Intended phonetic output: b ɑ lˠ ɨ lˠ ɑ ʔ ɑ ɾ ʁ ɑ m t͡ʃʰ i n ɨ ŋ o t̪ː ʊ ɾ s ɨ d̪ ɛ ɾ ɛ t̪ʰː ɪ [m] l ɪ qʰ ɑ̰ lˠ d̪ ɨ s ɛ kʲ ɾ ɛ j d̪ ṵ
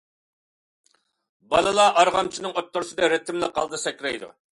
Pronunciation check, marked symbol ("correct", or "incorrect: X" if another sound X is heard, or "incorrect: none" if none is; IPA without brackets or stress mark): correct